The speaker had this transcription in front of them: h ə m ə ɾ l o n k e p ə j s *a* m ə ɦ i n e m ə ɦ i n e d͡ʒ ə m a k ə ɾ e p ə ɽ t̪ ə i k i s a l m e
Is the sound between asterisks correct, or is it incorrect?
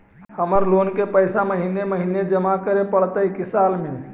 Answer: correct